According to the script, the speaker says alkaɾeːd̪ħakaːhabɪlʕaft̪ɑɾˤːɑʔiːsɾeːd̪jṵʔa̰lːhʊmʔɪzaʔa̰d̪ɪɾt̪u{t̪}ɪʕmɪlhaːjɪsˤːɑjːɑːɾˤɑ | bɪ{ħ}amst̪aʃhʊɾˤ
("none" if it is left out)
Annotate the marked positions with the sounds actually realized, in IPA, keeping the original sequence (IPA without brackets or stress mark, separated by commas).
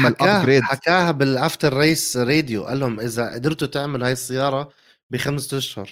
t̪, x